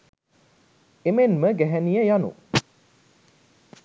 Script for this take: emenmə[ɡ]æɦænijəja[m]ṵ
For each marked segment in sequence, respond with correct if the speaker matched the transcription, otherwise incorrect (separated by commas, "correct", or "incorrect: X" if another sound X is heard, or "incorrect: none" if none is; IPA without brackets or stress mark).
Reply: correct, incorrect: n